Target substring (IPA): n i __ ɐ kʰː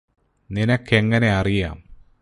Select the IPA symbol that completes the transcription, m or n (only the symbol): n